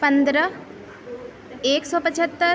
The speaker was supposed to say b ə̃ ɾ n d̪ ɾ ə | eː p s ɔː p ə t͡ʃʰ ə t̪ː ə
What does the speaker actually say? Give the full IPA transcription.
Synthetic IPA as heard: p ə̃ n d̪ ɾ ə | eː k s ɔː p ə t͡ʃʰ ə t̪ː ə